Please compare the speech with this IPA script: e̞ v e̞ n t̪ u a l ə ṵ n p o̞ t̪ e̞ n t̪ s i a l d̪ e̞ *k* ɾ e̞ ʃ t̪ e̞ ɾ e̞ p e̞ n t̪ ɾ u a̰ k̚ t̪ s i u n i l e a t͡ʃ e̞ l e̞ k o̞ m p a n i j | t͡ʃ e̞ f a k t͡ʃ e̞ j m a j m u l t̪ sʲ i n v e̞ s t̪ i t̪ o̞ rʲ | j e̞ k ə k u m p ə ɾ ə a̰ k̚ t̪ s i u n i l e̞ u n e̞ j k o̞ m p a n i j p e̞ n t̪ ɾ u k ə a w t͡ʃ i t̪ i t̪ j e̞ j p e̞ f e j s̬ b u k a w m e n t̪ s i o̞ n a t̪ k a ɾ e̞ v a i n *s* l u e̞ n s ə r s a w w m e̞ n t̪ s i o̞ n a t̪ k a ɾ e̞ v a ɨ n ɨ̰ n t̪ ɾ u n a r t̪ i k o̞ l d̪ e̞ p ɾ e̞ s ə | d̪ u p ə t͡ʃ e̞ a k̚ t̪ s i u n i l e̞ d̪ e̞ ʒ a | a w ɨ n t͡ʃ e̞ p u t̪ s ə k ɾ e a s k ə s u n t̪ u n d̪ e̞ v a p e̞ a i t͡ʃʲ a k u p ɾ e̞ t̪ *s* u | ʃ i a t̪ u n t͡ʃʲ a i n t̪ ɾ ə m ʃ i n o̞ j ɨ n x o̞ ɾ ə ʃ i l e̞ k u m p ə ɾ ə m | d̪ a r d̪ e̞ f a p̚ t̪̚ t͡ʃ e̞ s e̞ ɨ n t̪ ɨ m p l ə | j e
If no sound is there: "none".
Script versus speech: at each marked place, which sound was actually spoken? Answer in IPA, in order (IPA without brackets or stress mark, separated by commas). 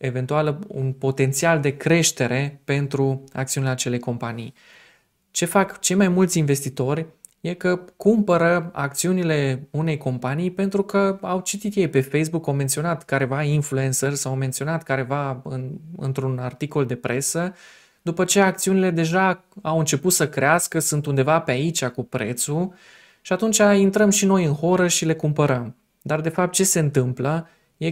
k, f, s